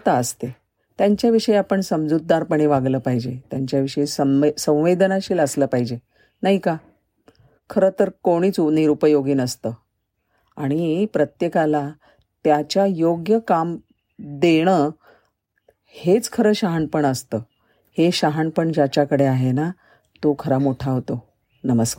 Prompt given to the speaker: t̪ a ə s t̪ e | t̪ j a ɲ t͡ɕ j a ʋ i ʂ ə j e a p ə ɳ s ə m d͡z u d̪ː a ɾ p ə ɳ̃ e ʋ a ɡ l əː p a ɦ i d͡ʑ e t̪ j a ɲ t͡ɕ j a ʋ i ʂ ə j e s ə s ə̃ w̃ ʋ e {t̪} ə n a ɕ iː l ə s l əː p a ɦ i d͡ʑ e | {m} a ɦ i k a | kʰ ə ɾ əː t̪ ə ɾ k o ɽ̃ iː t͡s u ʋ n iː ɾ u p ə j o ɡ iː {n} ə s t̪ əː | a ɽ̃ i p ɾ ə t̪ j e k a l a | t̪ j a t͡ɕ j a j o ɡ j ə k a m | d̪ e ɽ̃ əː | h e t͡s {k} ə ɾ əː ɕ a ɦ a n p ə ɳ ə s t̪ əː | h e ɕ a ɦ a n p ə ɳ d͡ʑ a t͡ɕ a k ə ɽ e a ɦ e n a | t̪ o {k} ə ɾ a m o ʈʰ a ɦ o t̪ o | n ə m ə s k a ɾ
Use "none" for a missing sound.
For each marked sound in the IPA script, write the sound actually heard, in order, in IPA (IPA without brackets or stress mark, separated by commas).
d̪, n, n, kʰ, kʰ